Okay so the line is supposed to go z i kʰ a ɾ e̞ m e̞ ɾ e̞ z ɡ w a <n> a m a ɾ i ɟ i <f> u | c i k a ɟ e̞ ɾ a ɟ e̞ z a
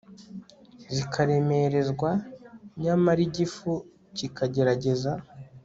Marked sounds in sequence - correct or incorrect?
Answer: incorrect: ɲ, correct

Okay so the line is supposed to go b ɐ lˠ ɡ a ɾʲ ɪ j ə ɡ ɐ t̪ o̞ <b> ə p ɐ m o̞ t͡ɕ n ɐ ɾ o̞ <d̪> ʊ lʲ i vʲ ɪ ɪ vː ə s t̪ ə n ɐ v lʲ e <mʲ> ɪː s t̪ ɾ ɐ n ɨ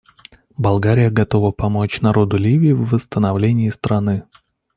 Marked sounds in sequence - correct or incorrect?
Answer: incorrect: v, correct, incorrect: nʲ

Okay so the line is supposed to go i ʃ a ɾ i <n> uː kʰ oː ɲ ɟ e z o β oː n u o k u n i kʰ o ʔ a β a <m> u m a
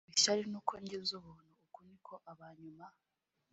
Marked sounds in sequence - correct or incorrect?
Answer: correct, incorrect: ɲ

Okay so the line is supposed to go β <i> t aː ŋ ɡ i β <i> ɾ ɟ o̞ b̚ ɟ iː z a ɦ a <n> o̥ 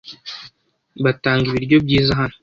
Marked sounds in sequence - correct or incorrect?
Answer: incorrect: a, correct, correct

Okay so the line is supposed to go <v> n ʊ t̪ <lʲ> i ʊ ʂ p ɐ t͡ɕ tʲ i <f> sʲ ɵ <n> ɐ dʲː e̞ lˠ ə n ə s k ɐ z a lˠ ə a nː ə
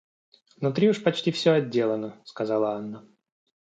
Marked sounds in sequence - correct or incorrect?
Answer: correct, incorrect: ɾʲ, correct, incorrect: none

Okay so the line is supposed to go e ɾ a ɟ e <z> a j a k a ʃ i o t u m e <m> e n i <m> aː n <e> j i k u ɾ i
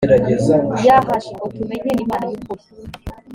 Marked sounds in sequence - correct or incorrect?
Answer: correct, incorrect: ɲ, correct, incorrect: a

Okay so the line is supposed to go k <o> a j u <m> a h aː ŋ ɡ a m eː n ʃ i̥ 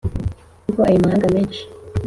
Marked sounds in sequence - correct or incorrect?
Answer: correct, correct

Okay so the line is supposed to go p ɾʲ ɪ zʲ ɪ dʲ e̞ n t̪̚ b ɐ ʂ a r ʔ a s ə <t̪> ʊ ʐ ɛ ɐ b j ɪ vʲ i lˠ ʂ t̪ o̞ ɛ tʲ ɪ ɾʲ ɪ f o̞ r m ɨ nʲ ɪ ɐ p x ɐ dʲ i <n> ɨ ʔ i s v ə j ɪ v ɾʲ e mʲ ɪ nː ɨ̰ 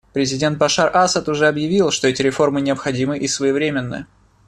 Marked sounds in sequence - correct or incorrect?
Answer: correct, incorrect: m

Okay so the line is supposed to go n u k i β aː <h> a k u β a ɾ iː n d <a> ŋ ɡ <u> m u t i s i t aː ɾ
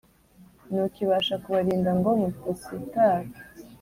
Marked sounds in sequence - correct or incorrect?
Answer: incorrect: ʃ, correct, incorrect: o

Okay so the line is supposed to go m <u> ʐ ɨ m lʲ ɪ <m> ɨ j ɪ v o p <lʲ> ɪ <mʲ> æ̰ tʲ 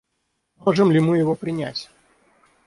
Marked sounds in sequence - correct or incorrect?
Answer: incorrect: o, correct, incorrect: ɾʲ, incorrect: nʲ

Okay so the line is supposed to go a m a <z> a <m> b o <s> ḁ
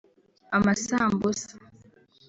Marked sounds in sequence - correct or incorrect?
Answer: incorrect: s, correct, correct

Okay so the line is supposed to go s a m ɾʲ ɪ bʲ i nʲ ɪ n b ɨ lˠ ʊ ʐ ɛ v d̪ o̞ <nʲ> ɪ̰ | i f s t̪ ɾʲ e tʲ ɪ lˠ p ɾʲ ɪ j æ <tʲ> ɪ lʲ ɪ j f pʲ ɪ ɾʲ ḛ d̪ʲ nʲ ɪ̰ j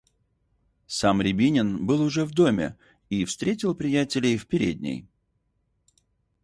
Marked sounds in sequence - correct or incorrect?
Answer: incorrect: mʲ, correct

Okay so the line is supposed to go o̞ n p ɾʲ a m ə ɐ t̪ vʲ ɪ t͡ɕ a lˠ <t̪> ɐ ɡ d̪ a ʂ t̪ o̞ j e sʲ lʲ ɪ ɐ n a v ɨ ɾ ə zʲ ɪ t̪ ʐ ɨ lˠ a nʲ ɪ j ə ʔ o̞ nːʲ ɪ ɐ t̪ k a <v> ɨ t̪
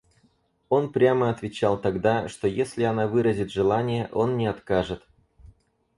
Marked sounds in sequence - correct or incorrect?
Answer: correct, incorrect: ʐ

